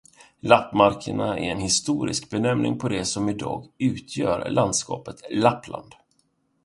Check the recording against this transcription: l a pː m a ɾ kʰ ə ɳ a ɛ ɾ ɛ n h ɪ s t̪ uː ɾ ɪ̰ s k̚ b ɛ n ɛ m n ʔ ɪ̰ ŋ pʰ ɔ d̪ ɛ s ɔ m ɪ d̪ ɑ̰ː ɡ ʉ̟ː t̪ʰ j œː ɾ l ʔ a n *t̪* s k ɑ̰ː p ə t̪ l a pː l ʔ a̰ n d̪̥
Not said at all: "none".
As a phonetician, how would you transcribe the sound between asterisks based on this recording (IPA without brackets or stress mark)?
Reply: d̪